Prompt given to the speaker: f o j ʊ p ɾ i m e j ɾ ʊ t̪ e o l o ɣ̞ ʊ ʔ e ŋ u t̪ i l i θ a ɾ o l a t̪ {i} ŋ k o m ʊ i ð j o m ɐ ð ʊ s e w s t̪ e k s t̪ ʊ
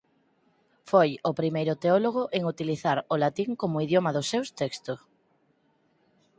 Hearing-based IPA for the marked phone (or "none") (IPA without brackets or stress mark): i